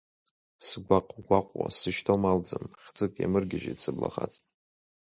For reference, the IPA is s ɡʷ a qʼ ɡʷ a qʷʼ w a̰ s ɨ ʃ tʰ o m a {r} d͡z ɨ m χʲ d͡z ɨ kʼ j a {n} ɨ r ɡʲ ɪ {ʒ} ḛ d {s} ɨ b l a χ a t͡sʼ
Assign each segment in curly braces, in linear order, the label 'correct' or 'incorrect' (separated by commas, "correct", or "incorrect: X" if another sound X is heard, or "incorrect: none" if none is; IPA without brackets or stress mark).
incorrect: l, incorrect: m, correct, correct